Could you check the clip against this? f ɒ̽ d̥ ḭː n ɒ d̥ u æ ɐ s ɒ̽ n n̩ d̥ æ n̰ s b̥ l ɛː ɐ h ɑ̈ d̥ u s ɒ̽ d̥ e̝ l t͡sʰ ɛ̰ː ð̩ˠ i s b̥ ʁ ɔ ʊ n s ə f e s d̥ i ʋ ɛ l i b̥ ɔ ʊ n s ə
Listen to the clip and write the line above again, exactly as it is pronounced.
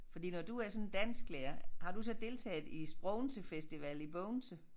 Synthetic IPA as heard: f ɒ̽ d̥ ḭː n ɒ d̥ u æ ɐ s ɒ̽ n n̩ d̥ æ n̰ s ɡ̥ l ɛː ɐ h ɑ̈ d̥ u s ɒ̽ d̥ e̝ l t͡sʰ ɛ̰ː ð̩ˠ i s b̥ ʁ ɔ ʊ n s ə f e s d̥ i ʋ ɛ l i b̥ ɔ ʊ n s ə